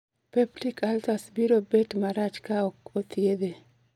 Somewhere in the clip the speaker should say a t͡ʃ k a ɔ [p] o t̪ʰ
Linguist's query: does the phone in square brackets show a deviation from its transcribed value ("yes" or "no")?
yes